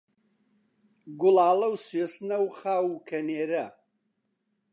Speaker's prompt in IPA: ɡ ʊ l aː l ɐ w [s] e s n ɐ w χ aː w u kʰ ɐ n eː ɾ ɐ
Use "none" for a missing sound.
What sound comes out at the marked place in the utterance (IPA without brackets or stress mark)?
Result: s